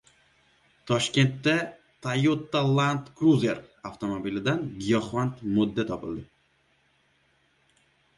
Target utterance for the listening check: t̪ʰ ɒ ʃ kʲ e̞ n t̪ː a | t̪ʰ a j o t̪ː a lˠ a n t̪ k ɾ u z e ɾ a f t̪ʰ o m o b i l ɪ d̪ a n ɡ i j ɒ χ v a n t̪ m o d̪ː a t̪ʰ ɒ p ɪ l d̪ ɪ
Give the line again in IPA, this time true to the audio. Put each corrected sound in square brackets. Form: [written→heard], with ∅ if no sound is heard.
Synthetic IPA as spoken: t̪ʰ ɒ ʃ kʲ e̞ n t̪ː a | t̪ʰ a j o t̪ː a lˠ a n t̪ k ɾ u z e ɾ a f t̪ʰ o m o b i l ɪ d̪ a n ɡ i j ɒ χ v a n t̪ m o d̪ː a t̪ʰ ɒ p ɪ l d̪ ɪ

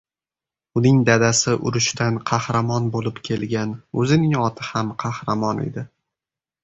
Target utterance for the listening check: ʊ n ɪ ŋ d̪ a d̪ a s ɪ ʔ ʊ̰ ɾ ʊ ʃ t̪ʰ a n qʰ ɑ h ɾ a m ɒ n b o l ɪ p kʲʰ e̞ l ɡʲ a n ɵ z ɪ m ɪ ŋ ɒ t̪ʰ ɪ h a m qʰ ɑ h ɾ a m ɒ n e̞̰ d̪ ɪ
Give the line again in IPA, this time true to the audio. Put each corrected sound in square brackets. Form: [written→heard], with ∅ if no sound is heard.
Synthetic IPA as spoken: ʊ n ɪ ŋ d̪ a d̪ a s ɪ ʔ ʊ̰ ɾ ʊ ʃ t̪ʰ a n qʰ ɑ h ɾ a m ɒ n b o l ɪ p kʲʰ e̞ l ɡʲ a n ɵ z ɪ [m→n] ɪ ŋ ɒ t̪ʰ ɪ h a m qʰ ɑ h ɾ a m ɒ n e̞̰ d̪ ɪ

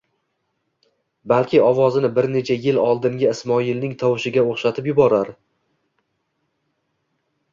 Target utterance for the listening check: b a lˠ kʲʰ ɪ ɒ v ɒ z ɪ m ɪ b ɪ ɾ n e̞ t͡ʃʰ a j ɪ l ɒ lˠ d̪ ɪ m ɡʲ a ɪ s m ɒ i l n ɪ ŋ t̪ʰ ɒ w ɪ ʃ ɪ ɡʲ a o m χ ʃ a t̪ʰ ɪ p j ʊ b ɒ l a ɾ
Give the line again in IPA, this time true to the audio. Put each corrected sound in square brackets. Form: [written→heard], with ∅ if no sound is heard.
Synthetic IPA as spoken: b a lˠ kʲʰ ɪ ɒ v ɒ z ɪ [m→n] ɪ b ɪ ɾ n e̞ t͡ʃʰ a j ɪ l ɒ lˠ d̪ ɪ [m→ŋ] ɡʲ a ɪ s m ɒ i l n ɪ ŋ t̪ʰ ɒ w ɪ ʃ ɪ ɡʲ a o [m→∅] χ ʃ a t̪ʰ ɪ p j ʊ b ɒ [l→ɾ] a ɾ

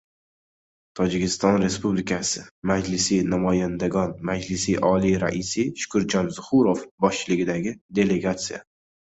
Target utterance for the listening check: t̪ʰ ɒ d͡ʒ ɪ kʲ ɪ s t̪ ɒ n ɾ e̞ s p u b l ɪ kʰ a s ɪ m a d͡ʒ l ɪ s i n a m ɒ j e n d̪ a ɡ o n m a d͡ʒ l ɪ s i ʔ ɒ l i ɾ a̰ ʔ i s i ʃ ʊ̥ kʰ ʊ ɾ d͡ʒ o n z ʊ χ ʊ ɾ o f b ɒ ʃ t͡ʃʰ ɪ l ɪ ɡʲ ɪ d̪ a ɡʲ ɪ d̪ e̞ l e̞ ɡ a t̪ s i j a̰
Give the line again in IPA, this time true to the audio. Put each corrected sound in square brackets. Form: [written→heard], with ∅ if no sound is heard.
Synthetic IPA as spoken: t̪ʰ ɒ d͡ʒ ɪ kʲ ɪ s t̪ ɒ n ɾ e̞ s p u b l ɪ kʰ a s ɪ m a d͡ʒ l ɪ s i n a m ɒ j [e→a] n d̪ a ɡ [o→ɒ] n m a d͡ʒ l ɪ s i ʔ ɒ l i ɾ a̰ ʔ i s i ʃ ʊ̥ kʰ ʊ ɾ d͡ʒ [o→ɒ] n z ʊ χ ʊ ɾ o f b ɒ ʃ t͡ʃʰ ɪ l ɪ ɡʲ ɪ d̪ a ɡʲ ɪ d̪ e̞ l e̞ ɡ a t̪ s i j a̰

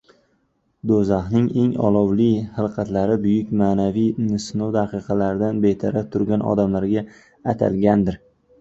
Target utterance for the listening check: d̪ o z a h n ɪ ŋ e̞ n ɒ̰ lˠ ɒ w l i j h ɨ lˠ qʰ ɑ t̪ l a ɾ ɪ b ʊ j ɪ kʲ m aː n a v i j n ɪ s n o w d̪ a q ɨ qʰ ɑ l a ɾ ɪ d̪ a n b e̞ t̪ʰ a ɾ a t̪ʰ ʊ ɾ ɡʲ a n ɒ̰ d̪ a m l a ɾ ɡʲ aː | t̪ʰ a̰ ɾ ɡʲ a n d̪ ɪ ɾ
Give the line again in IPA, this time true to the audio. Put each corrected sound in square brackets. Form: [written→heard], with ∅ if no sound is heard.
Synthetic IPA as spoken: d̪ o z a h n ɪ ŋ e̞ [n→ŋ] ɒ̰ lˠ ɒ w l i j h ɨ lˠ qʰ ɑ t̪ l a ɾ ɪ b ʊ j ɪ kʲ m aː n a v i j n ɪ s n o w d̪ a q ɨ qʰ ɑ l a ɾ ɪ d̪ a n b e̞ t̪ʰ a ɾ a t̪ʰ ʊ ɾ ɡʲ a n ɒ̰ d̪ a m l a ɾ ɡʲ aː | t̪ʰ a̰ [ɾ→l] ɡʲ a n d̪ ɪ ɾ

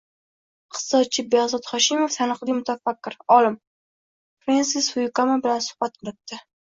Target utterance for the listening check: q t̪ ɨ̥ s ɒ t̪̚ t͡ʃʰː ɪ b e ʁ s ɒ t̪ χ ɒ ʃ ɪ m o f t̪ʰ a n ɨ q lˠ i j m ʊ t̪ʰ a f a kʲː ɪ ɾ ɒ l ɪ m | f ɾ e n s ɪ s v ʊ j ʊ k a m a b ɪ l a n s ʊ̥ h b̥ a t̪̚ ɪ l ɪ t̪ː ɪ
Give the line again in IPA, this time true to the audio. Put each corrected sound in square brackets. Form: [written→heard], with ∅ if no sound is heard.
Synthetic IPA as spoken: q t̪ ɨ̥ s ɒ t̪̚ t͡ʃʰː ɪ b e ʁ [s→z] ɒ t̪ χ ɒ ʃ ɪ m o f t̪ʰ a n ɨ q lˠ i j m ʊ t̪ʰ a f a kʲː ɪ ɾ ɒ l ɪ m | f ɾ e n s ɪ s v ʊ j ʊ k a m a b ɪ l a n s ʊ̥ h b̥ a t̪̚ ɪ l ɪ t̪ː ɪ

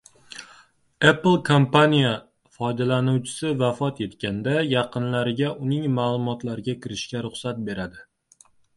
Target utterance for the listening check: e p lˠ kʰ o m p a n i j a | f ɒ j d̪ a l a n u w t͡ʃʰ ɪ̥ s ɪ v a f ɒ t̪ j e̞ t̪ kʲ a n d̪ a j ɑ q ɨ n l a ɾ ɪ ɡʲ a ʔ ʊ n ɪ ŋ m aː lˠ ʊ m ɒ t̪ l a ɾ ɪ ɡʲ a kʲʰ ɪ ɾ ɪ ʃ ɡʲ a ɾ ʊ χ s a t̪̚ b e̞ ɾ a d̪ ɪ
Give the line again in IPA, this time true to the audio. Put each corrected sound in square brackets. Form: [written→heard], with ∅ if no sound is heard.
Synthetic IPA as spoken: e p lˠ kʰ o m p a n i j a | f ɒ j d̪ a l a n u w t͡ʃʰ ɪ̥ s ɪ v a f ɒ t̪ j e̞ t̪ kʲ a n d̪ a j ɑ q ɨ n l a ɾ ɪ ɡʲ a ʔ ʊ n ɪ ŋ m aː lˠ ʊ m ɒ t̪ l a ɾ ɪ ɡʲ a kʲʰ ɪ ɾ ɪ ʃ [ɡʲ→kʲ] a ɾ ʊ χ s a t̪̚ b e̞ ɾ a d̪ ɪ

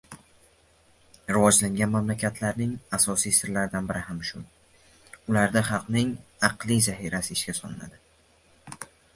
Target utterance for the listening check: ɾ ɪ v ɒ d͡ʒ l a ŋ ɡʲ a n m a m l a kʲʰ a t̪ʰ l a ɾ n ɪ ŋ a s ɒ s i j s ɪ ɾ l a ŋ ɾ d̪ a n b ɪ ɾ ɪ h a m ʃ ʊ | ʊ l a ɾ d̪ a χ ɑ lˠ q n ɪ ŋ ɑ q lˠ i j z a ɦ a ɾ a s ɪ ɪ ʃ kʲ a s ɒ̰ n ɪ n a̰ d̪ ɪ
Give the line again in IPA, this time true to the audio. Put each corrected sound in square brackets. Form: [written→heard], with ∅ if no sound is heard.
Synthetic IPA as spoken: ɾ ɪ v ɒ d͡ʒ l a ŋ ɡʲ a n m a m l a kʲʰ a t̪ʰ l a ɾ n ɪ ŋ a s ɒ s i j s ɪ ɾ l a [ŋ→∅] ɾ d̪ a n b ɪ ɾ ɪ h a m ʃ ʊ | ʊ l a ɾ d̪ a χ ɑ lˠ q n ɪ ŋ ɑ q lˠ i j z a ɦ [a→i] ɾ a s ɪ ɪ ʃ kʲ a s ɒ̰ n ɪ n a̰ d̪ ɪ

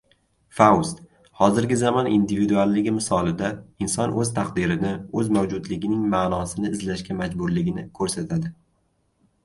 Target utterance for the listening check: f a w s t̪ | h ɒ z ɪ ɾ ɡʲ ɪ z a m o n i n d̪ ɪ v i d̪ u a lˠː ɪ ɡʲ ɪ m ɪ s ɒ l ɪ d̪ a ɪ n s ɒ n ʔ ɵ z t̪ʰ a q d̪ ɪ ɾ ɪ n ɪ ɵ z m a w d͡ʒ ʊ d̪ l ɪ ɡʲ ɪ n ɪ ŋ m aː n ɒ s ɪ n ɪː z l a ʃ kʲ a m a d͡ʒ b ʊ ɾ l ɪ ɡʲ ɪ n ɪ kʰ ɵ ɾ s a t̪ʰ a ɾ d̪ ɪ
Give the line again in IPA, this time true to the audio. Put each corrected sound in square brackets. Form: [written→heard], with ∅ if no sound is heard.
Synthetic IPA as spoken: f a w s t̪ | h ɒ z ɪ ɾ ɡʲ ɪ z a m [o→ɒ] n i n d̪ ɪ v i d̪ u a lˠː ɪ ɡʲ ɪ m ɪ s ɒ l ɪ d̪ a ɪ n s ɒ n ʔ ɵ z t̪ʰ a q d̪ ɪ ɾ ɪ n ɪ ɵ z m a w d͡ʒ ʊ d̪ l ɪ ɡʲ ɪ n ɪ ŋ m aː n ɒ s ɪ n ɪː z l a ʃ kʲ a m a d͡ʒ b ʊ ɾ l ɪ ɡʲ ɪ n ɪ kʰ ɵ ɾ s a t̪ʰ a [ɾ→∅] d̪ ɪ

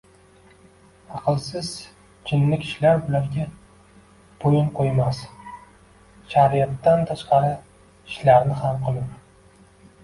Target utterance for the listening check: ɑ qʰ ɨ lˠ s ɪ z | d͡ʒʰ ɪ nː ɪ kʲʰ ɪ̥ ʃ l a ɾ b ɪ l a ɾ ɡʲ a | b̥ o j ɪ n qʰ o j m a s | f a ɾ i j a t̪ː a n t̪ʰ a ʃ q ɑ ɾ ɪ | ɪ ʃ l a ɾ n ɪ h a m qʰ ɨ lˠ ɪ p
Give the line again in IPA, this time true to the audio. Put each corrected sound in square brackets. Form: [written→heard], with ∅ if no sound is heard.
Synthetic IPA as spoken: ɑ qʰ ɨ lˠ s ɪ z | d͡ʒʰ ɪ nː ɪ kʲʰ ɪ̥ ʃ l a ɾ b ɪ l a ɾ ɡʲ a | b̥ o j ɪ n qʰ o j m a s | [f→ʃ] a ɾ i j a t̪ː a n t̪ʰ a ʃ q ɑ ɾ ɪ | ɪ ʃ l a ɾ n ɪ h a m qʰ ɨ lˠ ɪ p

